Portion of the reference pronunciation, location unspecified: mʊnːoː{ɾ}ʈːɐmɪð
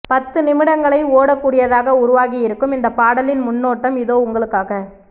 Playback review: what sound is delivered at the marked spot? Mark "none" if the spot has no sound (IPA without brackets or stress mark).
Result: none